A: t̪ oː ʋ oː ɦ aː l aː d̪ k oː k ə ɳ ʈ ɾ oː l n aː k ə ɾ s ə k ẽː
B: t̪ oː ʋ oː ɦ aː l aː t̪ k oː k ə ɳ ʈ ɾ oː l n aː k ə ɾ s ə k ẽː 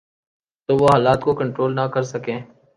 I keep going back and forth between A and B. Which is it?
B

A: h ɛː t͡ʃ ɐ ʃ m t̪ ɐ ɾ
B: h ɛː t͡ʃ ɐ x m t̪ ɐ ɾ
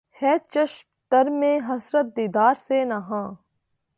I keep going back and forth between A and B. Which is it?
A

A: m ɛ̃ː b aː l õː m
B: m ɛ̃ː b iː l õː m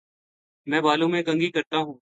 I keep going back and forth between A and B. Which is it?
A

